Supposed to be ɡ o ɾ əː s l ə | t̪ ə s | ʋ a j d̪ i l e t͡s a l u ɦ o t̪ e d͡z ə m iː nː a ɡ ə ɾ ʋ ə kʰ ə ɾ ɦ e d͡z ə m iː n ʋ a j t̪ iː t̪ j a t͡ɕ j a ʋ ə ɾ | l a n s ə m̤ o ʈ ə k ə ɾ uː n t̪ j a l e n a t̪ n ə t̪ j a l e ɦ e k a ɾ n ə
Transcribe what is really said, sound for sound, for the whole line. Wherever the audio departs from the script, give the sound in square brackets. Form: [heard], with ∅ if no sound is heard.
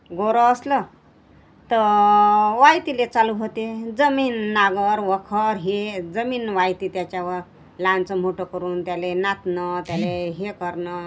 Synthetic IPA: ɡ o ɾ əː s l ə | t̪ ə [∅] | ʋ a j [t̪] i l e t͡s a l u ɦ o t̪ e d͡z ə m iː nː a ɡ ə ɾ ʋ ə kʰ ə ɾ ɦ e d͡z ə m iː n ʋ a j t̪ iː t̪ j a t͡ɕ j a ʋ ə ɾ | l a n [t͡s] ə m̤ o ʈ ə k ə ɾ uː n t̪ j a l e n a t̪ n ə t̪ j a l e ɦ e k [ə] ɾ n ə